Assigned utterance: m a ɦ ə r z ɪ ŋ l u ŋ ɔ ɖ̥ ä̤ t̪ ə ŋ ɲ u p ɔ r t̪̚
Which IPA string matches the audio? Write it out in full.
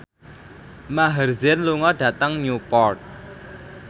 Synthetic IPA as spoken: m a ɦ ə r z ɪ n l u ŋ ɔ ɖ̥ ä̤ t̪ ə ŋ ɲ u p ɔ r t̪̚